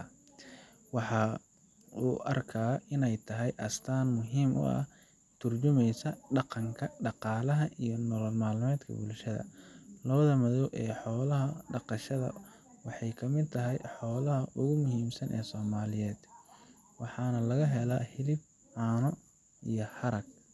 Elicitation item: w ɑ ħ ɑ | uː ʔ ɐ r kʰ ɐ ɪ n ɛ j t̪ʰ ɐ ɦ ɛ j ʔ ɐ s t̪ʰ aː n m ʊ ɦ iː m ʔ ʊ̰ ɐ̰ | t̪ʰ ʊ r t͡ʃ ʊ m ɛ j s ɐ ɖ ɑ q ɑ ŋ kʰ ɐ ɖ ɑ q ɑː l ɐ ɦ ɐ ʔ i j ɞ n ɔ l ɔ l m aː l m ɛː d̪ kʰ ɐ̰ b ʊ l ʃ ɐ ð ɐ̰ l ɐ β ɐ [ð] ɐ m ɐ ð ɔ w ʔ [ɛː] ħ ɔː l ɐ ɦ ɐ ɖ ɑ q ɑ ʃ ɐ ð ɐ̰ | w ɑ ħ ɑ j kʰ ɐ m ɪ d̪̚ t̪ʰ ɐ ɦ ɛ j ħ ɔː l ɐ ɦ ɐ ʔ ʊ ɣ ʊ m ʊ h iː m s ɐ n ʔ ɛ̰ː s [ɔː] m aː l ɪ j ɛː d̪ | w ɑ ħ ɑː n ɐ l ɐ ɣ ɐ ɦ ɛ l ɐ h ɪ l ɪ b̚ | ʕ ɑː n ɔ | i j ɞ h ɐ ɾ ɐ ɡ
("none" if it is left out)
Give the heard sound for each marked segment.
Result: ð, ɛː, ɔː

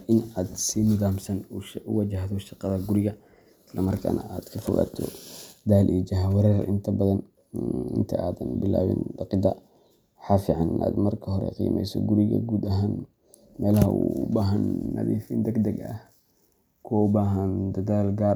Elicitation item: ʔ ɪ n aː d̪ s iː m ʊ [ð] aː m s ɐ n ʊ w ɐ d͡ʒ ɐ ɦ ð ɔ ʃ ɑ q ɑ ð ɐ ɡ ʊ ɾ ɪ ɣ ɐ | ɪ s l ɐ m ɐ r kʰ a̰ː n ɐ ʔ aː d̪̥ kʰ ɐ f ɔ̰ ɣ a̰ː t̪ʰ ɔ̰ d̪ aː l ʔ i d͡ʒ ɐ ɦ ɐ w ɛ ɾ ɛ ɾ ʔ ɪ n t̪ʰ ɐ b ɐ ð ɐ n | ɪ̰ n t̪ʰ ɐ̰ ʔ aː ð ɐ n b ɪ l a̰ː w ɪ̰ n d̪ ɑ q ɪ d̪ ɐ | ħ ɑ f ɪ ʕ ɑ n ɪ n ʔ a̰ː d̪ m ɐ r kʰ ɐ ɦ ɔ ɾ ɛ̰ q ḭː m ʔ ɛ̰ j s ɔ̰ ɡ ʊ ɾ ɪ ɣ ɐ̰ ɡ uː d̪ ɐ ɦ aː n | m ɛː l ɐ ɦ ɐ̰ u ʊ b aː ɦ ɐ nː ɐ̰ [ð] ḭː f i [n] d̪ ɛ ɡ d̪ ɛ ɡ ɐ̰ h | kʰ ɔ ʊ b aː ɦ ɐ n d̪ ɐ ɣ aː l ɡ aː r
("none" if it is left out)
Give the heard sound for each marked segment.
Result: ð, ð, n

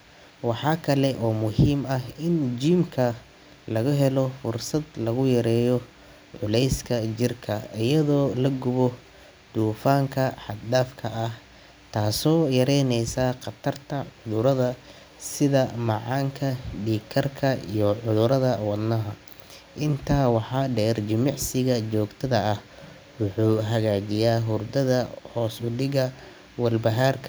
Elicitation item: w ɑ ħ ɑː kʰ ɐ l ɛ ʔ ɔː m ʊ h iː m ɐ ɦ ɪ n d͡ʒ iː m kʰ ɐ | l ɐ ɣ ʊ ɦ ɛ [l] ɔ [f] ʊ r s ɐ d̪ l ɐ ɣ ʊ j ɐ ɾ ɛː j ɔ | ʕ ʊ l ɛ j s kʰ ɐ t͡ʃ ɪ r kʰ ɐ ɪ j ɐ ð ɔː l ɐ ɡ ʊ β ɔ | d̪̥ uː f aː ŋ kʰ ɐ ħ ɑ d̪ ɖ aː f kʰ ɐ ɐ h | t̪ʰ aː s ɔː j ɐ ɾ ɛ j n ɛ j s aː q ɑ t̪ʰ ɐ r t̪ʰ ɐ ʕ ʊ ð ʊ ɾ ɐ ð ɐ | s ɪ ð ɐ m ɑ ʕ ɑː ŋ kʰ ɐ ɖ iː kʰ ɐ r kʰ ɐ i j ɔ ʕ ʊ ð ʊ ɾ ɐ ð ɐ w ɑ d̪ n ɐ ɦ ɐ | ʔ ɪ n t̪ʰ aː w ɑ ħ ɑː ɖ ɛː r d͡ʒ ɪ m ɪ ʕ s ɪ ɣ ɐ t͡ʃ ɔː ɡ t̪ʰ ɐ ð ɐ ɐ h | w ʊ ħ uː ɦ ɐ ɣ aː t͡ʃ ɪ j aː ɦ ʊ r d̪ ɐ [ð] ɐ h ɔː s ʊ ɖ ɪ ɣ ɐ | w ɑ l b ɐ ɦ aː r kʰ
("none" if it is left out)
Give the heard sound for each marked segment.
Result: l, f, ð

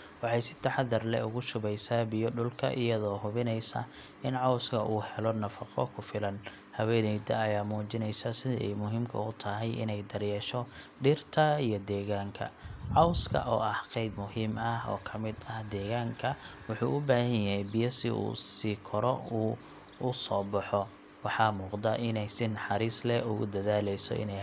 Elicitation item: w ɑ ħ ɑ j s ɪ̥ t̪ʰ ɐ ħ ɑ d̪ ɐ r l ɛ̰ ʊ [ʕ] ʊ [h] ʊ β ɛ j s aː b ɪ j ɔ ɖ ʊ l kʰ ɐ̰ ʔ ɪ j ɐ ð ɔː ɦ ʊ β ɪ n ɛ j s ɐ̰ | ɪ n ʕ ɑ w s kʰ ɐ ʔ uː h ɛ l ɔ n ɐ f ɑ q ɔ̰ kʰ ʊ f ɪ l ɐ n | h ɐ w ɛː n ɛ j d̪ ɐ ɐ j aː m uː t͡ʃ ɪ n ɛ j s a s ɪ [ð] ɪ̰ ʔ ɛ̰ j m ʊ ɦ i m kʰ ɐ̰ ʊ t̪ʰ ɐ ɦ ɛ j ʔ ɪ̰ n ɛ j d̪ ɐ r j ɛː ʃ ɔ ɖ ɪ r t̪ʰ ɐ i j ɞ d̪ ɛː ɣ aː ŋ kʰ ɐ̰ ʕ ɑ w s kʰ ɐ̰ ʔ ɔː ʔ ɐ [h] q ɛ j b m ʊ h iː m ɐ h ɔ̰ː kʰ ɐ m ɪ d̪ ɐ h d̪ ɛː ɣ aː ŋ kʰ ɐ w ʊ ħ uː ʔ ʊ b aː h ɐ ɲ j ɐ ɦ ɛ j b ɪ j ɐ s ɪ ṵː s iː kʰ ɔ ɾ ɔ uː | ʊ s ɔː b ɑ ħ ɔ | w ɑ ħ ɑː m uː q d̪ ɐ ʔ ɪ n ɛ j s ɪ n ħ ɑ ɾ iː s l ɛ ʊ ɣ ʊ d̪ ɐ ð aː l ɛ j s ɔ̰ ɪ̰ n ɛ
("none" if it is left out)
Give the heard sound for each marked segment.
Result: ɣ, ʃ, ð, h

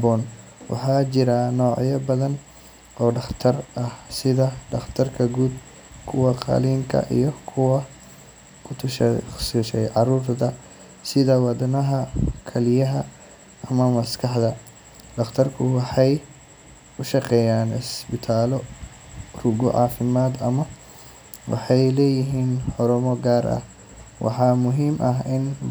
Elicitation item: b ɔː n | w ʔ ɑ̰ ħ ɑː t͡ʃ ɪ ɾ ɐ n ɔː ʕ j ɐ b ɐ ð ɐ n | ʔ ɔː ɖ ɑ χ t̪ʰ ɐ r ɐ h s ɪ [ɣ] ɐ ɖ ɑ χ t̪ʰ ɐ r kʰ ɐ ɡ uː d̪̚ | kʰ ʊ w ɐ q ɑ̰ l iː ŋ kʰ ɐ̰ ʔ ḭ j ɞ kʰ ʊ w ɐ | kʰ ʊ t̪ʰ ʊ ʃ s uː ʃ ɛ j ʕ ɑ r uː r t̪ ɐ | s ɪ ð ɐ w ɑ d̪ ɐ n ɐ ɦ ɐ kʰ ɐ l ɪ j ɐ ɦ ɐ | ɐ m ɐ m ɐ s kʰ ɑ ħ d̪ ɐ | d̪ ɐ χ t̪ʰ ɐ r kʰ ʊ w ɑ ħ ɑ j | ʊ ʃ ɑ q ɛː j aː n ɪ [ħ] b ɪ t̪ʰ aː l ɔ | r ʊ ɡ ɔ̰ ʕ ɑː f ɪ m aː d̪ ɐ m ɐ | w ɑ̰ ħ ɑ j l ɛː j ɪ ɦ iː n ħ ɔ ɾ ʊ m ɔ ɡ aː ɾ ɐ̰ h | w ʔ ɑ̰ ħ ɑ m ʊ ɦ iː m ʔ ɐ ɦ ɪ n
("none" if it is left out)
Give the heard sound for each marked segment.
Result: ð, s

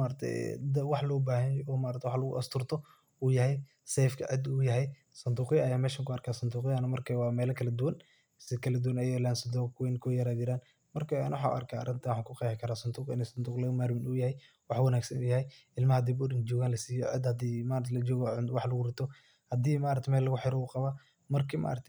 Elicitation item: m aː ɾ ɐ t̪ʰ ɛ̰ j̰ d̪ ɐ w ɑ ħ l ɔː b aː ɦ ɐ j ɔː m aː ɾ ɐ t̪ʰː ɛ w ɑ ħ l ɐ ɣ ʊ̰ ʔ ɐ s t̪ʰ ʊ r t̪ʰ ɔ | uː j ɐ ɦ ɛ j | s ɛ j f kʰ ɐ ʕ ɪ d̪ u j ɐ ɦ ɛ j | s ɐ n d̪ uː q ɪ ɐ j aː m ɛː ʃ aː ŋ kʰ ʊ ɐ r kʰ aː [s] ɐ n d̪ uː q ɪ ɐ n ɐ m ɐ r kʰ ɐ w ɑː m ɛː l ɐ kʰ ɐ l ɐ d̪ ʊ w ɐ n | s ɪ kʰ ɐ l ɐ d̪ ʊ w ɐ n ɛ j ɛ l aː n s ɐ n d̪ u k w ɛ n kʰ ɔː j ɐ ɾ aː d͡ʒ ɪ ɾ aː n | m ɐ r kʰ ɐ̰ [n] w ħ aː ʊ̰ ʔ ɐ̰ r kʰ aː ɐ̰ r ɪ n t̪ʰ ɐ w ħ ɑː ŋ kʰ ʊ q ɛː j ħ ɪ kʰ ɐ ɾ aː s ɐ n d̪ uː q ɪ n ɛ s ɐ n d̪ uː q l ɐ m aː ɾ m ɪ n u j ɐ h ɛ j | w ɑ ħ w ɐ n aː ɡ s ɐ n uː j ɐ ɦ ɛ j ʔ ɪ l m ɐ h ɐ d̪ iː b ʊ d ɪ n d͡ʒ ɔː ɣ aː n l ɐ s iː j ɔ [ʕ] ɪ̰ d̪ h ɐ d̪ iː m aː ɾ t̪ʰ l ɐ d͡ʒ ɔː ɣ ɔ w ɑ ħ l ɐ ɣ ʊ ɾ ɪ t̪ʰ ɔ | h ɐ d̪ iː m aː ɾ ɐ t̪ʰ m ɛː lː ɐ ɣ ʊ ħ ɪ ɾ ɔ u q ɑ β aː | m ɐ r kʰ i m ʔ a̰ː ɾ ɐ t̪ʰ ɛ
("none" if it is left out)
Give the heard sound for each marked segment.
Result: s, n, ʕ

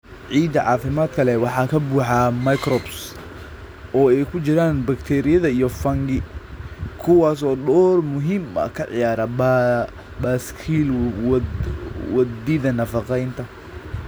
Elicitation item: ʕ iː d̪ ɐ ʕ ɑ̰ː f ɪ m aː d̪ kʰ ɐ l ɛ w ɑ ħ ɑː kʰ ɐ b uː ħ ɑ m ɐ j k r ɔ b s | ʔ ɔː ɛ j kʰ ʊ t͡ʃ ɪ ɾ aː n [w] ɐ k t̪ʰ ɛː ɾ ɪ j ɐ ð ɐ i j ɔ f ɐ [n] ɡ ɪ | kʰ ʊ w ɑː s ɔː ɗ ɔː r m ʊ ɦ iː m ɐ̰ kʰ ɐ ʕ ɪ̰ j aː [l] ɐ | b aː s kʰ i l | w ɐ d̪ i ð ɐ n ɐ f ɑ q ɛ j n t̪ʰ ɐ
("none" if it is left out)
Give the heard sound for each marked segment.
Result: b, ŋ, ɾ

